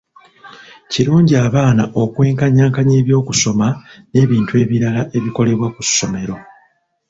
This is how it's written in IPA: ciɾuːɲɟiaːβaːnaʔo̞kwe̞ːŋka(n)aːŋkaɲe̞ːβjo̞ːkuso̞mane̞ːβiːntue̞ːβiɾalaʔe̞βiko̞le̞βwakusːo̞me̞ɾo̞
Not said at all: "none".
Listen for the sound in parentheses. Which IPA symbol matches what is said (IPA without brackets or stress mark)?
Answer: ɲ